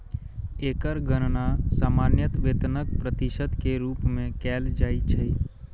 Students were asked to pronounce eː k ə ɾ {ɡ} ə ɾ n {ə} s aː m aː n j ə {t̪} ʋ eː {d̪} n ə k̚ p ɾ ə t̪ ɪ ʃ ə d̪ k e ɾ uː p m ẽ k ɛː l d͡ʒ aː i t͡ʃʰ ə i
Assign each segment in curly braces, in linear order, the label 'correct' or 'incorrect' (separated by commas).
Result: correct, incorrect, correct, incorrect